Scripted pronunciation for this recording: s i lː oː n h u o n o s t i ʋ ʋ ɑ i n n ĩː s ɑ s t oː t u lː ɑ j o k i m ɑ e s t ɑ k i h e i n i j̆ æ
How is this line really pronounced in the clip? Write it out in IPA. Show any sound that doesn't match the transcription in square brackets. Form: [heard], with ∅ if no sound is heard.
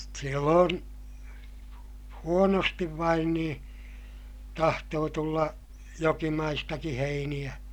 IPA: s i lː oː n h u o n o s t i ʋ ʋ ɑ i n n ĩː [t] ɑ [h] t oː t u lː ɑ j o k i m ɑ [i] s t ɑ k i h e i n i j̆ æ